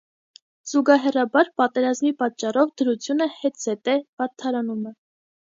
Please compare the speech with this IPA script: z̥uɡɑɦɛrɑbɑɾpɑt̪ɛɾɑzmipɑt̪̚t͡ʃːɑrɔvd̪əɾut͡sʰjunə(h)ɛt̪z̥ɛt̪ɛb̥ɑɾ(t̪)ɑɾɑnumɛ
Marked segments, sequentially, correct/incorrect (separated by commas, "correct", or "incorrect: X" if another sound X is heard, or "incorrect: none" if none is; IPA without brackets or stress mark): correct, incorrect: t̪ʰ